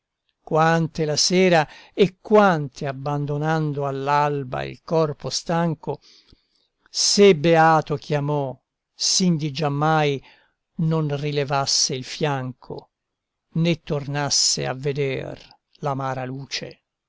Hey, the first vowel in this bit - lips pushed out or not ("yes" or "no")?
no